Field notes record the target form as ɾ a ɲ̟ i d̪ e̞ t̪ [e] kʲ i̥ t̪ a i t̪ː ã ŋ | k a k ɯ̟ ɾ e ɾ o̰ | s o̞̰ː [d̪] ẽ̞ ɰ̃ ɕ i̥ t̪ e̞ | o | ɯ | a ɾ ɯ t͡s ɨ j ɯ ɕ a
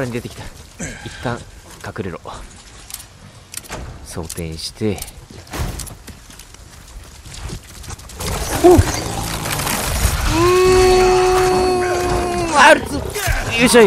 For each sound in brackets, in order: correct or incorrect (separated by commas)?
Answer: correct, incorrect